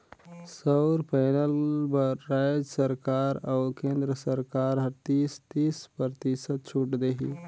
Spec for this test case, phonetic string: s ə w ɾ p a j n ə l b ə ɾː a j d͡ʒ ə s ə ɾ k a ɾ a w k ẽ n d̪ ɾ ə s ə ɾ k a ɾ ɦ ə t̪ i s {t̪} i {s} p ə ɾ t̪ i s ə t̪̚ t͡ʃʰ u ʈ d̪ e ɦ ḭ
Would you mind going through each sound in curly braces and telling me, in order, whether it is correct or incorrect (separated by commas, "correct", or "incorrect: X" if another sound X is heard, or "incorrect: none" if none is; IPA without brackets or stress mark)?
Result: correct, correct